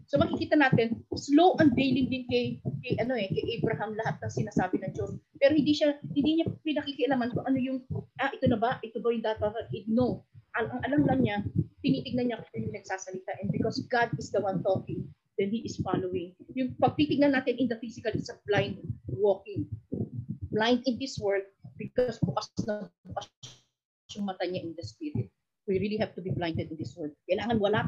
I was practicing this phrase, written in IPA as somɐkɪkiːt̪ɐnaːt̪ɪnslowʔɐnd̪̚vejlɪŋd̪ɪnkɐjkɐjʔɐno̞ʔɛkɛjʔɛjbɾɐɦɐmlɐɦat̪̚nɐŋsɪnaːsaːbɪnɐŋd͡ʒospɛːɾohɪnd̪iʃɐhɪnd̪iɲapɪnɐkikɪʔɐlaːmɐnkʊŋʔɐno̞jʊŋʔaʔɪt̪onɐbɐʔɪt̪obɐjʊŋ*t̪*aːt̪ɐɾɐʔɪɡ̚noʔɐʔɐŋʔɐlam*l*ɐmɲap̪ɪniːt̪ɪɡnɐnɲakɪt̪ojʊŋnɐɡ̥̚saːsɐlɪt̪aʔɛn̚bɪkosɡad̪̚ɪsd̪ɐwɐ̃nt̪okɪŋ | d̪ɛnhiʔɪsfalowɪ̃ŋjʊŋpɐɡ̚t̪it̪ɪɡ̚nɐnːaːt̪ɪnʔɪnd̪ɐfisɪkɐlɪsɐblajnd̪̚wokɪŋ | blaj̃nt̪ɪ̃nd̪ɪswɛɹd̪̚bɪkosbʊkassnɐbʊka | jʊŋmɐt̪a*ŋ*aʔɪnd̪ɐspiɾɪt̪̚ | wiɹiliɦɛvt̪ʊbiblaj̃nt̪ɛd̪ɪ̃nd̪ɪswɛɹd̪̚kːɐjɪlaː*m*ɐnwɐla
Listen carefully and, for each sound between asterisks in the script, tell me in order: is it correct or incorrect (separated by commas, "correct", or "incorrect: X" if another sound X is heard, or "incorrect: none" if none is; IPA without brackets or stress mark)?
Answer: incorrect: d̪, correct, incorrect: ɲ, incorrect: ŋ